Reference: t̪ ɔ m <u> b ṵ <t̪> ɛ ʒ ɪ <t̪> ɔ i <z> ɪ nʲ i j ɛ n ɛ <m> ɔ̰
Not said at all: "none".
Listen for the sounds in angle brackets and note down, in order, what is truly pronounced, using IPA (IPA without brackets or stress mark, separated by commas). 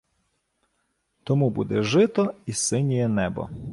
u, d̪, t̪, s, b